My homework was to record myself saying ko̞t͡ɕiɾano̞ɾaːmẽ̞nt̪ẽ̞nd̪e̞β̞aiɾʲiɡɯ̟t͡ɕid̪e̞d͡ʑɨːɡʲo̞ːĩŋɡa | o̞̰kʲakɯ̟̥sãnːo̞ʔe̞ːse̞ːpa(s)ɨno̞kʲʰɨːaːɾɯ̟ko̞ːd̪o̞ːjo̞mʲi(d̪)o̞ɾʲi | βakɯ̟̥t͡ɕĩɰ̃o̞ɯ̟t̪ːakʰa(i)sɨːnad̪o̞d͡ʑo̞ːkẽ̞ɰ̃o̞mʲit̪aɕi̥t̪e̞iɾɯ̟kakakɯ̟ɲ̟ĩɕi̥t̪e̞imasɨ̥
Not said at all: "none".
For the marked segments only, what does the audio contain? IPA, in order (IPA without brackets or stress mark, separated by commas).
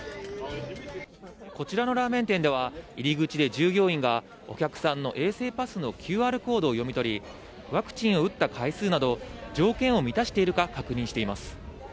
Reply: s, t̪, i